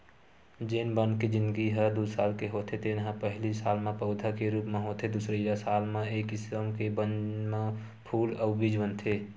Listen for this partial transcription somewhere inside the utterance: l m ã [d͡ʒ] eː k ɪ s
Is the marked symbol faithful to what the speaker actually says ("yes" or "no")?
no